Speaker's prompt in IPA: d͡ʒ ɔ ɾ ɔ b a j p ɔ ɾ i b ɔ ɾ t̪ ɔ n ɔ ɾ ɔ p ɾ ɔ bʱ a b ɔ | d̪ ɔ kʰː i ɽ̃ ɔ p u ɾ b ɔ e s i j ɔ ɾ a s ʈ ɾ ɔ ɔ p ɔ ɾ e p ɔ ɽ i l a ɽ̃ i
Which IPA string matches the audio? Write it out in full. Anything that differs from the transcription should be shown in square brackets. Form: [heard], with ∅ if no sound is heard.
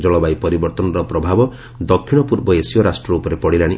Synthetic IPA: d͡ʒ ɔ [ɭ] ɔ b a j p ɔ ɾ i b ɔ ɾ t̪ ɔ n ɔ ɾ ɔ p ɾ ɔ bʱ a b ɔ | d̪ ɔ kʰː i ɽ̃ ɔ p u ɾ b ɔ e s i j ɔ ɾ a s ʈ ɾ ɔ [u] p ɔ ɾ e p ɔ ɽ i l a ɽ̃ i